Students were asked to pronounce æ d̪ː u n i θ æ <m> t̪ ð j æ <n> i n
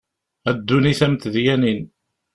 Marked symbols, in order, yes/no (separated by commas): yes, yes